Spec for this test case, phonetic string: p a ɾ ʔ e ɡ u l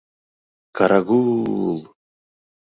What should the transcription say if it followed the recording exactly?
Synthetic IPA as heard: k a ɾ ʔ a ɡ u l